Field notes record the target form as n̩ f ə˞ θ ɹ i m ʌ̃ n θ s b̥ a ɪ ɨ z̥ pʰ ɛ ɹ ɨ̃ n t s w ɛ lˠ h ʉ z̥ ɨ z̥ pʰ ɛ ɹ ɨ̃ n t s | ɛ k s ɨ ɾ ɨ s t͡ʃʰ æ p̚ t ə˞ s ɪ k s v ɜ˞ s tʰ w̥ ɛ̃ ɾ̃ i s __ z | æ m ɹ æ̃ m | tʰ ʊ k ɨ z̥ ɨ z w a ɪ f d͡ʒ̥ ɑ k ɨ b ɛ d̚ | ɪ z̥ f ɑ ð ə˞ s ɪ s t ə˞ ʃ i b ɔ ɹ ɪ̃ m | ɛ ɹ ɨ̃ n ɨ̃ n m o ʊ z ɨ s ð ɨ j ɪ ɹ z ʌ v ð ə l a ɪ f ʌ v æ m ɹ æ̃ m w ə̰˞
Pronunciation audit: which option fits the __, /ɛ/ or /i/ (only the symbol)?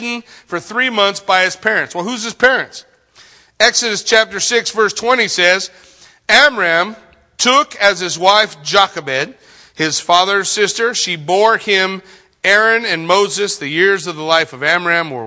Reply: ɛ